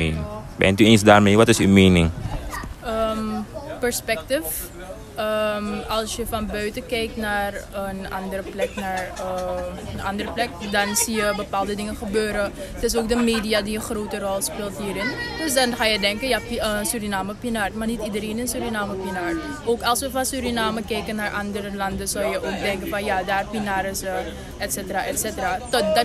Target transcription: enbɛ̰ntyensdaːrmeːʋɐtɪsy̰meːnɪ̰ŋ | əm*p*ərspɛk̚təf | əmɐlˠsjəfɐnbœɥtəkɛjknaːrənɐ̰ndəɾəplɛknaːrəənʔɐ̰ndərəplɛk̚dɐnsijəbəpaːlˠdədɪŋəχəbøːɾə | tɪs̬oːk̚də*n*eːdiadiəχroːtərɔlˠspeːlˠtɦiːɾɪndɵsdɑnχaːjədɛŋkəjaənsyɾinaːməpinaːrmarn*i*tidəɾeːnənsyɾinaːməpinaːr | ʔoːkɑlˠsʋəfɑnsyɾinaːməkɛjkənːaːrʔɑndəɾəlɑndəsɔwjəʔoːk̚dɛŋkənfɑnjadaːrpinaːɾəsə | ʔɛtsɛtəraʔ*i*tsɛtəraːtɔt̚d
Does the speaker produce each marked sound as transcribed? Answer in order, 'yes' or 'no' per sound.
yes, no, yes, no

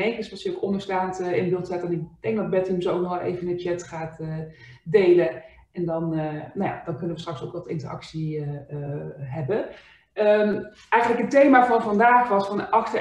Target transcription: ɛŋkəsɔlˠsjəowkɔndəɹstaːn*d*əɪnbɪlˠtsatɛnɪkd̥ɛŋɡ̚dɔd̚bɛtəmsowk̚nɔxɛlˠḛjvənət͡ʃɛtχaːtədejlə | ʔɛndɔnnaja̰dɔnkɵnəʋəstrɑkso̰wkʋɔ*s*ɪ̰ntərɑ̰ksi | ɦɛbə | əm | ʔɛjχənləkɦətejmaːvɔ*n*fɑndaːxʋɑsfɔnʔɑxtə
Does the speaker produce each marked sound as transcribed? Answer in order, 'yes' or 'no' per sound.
no, no, yes

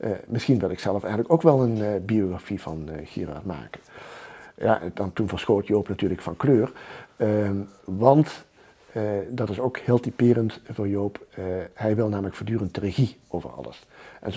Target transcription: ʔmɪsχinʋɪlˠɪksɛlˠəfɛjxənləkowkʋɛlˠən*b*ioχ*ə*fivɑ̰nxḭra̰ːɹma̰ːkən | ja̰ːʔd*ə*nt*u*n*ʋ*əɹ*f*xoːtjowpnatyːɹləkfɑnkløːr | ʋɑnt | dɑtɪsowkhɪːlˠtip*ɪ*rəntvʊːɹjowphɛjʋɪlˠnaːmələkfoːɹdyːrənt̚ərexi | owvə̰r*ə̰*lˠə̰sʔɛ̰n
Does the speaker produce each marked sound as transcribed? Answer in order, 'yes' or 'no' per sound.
yes, no, no, yes, no, no, no, no

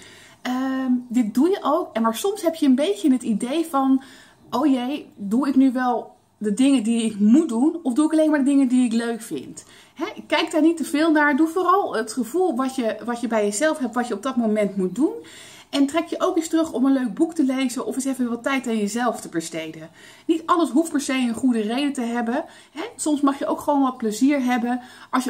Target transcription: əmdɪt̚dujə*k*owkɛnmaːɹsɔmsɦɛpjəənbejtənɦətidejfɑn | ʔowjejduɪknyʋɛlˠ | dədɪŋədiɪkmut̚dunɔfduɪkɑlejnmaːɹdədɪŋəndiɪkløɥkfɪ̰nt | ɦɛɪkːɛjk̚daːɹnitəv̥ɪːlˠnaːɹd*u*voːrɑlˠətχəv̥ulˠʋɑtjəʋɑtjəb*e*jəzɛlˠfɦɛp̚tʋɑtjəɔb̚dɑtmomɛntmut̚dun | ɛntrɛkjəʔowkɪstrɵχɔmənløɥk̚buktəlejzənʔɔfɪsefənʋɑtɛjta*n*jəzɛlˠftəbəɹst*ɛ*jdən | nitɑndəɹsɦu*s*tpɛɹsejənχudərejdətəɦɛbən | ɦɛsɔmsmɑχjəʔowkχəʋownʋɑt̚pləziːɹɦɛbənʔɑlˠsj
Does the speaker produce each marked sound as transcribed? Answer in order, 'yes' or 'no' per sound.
no, yes, no, yes, no, no

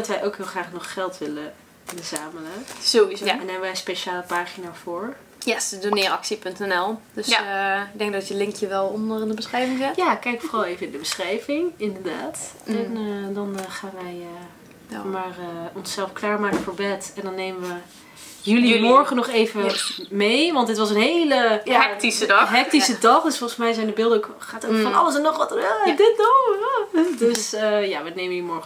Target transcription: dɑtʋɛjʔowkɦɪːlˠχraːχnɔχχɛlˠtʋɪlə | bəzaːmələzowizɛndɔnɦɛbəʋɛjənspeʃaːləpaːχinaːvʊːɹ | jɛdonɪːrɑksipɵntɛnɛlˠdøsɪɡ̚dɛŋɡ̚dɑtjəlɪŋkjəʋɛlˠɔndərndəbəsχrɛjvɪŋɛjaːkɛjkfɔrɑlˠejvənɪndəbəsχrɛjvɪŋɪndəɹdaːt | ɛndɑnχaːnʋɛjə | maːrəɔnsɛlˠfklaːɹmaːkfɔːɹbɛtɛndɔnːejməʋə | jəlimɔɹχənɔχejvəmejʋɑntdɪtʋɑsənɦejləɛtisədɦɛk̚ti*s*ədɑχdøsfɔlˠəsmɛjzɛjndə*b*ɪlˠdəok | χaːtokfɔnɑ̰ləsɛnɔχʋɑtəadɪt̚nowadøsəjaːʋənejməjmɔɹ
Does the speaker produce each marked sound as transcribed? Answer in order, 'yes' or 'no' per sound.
yes, yes

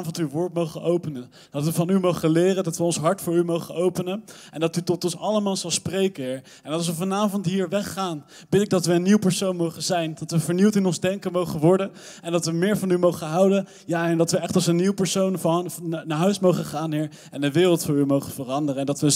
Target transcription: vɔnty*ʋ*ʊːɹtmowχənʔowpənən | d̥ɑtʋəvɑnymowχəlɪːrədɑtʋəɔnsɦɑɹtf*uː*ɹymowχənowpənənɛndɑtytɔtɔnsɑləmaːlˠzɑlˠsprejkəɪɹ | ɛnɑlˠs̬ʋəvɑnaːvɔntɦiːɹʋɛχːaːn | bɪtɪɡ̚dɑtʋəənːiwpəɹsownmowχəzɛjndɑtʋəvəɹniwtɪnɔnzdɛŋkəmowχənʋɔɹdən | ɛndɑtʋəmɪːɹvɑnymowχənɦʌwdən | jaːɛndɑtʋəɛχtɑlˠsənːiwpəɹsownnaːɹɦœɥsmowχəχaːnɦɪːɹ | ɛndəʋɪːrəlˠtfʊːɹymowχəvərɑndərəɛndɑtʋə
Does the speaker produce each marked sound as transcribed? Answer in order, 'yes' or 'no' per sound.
yes, no

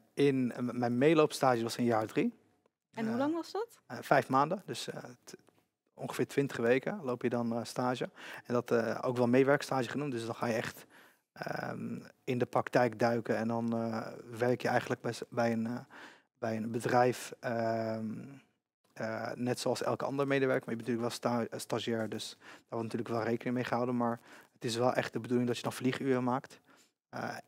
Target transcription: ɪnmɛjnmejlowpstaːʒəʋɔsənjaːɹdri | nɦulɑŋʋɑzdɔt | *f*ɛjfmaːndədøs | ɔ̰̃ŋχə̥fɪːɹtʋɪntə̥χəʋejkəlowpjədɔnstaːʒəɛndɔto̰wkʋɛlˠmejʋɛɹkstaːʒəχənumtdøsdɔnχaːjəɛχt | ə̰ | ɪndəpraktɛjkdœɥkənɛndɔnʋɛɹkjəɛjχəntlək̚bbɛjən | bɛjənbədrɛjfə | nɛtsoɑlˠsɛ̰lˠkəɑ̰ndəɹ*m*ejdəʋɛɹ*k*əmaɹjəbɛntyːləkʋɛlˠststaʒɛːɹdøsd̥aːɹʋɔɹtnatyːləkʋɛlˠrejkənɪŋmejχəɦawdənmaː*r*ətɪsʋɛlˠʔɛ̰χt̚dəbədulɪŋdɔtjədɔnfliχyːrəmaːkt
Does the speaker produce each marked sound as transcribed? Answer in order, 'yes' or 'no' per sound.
yes, yes, yes, no

